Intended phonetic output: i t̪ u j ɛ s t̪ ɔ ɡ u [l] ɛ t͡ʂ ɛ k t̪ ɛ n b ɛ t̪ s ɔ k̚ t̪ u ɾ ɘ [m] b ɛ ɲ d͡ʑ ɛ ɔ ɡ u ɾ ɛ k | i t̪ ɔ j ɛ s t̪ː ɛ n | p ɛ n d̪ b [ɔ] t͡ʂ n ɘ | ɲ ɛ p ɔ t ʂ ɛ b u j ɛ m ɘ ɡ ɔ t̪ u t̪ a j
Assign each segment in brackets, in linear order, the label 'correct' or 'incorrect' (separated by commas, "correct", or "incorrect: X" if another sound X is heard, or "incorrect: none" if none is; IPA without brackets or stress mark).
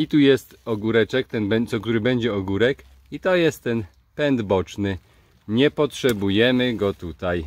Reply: incorrect: ɾ, incorrect: none, correct